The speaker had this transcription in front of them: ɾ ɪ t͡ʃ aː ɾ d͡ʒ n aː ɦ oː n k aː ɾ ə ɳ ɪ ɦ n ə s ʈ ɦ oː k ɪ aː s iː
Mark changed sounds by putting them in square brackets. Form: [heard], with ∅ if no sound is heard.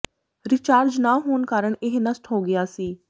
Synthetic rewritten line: ɾ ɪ t͡ʃ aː ɾ d͡ʒ n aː ɦ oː n k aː ɾ ə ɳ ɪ ɦ n ə s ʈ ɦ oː [ɡ] ɪ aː s iː